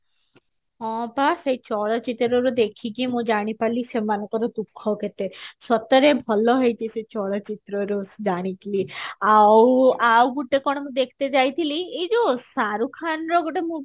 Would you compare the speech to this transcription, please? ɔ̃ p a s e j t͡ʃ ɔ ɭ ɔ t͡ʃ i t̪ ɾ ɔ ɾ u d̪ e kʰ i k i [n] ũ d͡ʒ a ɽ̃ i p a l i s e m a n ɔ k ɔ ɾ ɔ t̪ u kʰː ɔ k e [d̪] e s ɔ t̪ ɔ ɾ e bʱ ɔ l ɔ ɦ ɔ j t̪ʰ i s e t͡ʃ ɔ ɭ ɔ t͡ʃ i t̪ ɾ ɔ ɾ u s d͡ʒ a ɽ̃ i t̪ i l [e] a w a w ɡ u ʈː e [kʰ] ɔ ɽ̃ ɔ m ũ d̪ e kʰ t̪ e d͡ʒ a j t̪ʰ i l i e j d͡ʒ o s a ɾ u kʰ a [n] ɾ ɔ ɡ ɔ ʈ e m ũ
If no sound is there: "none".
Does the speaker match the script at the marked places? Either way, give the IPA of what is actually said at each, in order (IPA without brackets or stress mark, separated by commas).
m, t̪, i, k, n